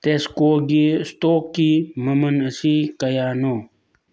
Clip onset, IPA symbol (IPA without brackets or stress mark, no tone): t̪